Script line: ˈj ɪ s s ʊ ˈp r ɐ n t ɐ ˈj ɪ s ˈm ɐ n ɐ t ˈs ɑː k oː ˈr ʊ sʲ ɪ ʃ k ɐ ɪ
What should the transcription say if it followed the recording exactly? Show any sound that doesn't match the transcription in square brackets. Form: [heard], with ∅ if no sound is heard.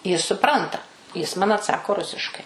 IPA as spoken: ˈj ɪ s s ʊ ˈp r ɐ n t ɐ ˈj ɪ s ˈm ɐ n ɐ t ˈs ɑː k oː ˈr ʊ sʲ ɪ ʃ k ɐ ɪ